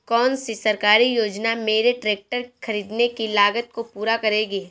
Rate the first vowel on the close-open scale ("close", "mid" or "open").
mid